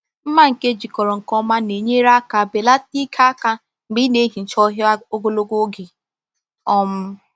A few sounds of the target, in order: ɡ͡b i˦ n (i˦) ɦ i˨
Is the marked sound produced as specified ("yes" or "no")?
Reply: no